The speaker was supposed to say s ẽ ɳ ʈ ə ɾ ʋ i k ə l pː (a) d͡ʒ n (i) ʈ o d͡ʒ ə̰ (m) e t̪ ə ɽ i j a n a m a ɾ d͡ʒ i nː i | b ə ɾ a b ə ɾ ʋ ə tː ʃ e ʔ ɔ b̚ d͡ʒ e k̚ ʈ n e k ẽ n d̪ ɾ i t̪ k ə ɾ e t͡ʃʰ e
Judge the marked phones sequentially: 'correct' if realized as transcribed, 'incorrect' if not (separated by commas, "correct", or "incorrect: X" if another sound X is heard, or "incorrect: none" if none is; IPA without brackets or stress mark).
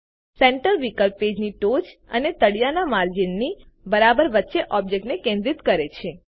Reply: incorrect: e, correct, incorrect: n